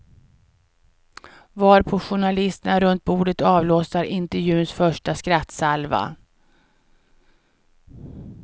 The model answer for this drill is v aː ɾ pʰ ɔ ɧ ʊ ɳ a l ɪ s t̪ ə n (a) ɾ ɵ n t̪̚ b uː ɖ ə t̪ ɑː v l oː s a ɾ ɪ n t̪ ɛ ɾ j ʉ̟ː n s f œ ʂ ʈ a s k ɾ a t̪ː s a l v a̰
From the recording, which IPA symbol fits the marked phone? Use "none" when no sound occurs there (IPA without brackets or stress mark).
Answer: a